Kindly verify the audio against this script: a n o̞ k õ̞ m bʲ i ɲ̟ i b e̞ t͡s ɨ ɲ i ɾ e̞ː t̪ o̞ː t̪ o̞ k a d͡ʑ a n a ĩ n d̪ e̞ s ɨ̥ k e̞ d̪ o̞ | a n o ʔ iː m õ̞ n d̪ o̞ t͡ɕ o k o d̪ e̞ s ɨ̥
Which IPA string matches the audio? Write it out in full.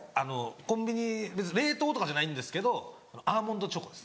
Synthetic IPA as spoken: a n o̞ k õ̞ m bʲ i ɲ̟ i b e̞ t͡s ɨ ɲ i ɾ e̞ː t̪ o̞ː t̪ o̞ k a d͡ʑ a n a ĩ n d̪ e̞ s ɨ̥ k e̞ d̪ o̞ | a n o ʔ aː m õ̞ n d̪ o̞ t͡ɕ o k o d̪ e̞ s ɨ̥